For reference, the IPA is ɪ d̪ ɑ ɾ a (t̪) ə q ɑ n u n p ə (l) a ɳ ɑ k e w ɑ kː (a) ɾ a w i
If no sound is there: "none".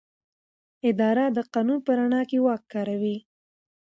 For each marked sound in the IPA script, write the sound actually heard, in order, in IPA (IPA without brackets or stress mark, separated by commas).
d̪, ɾ, ɑ